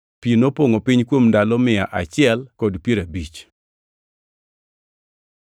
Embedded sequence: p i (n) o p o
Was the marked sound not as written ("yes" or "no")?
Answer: no